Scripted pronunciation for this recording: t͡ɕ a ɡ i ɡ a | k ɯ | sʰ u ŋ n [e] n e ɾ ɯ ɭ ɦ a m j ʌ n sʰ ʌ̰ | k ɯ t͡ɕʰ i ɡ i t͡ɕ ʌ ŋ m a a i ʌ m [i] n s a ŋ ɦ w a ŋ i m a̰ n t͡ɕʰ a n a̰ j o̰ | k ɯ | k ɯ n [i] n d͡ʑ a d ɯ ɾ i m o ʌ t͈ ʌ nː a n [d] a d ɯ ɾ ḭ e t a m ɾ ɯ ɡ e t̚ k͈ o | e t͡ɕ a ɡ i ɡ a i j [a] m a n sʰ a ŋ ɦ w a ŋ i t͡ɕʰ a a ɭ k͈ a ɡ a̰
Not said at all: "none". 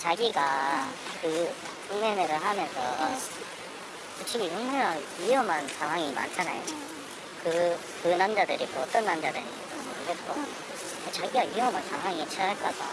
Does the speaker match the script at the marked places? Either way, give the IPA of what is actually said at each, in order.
e, a, a, d͡ʑ, ʌ

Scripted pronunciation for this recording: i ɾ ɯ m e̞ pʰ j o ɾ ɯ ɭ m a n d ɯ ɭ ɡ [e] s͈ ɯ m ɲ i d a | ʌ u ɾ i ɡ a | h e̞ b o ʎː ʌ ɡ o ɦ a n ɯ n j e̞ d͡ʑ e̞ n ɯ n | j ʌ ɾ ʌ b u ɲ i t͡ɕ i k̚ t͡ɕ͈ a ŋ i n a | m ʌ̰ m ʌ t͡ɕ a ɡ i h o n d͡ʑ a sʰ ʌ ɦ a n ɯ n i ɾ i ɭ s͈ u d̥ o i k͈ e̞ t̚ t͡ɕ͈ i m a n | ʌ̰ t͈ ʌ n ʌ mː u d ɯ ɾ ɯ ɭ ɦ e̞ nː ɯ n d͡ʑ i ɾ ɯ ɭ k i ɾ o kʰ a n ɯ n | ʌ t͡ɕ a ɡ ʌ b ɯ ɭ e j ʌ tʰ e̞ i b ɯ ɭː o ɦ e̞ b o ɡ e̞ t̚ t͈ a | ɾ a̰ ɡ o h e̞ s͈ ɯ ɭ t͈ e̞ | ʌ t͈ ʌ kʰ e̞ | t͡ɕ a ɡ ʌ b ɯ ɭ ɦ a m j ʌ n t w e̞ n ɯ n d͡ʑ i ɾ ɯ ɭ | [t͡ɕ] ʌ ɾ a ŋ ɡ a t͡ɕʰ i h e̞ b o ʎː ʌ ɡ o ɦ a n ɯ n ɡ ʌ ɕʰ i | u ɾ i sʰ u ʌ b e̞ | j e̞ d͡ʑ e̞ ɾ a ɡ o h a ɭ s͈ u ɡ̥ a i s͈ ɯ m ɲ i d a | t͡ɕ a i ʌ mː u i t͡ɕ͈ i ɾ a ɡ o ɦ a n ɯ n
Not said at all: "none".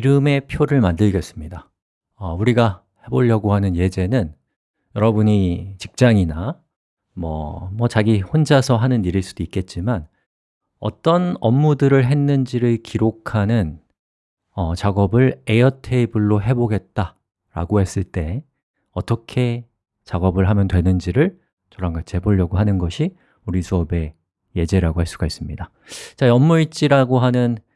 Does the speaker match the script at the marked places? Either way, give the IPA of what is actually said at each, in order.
e, t͡ɕ

